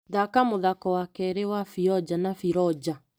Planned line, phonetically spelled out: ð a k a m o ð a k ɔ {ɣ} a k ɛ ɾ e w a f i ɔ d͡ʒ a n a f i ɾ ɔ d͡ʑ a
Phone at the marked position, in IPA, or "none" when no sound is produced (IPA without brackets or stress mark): w